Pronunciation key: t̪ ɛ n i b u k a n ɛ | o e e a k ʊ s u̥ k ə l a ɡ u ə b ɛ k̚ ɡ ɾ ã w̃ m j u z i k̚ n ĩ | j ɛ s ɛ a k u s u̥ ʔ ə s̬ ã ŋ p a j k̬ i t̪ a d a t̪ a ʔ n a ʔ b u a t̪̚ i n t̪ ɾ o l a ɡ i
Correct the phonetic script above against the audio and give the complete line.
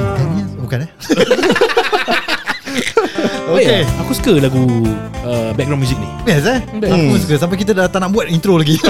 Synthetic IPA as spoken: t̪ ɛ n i b u k a n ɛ | o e e a k u s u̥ k ə l a ɡ u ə b ɛ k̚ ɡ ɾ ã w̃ m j u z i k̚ n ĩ | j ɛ s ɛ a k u s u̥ k ə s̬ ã m p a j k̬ i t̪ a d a t̪ a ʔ n a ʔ b u a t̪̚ i n t̪ ɾ o l a ɡ i